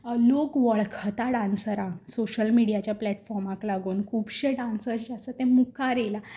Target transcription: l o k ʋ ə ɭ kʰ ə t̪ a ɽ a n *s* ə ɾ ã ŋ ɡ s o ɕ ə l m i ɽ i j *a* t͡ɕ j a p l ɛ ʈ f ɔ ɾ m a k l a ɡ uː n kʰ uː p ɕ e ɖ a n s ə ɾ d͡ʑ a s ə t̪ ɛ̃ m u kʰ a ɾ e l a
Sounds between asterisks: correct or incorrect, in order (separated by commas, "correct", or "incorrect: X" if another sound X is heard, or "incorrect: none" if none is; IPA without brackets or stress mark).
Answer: correct, correct